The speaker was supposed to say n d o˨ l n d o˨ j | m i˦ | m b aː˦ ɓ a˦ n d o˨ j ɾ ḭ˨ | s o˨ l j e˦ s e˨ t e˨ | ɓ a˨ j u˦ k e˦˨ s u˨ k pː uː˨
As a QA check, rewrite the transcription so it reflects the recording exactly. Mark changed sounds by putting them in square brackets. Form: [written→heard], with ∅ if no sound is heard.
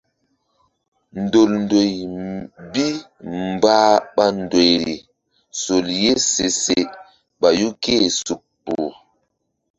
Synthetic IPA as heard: n d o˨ l n d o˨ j | [m→b] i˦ | m b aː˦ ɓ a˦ n d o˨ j ɾ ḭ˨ | s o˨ l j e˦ s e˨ [t→s] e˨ | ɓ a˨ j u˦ k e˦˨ s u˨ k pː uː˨